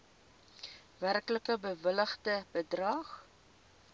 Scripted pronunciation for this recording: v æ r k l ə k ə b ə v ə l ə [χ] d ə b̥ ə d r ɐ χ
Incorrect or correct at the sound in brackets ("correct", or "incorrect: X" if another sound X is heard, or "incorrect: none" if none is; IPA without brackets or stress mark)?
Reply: correct